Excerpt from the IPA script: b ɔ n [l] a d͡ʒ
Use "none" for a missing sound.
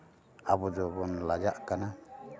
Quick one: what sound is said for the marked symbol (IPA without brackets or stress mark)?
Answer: l